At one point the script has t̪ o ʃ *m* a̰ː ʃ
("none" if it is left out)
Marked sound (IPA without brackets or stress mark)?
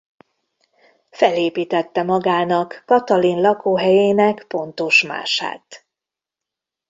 m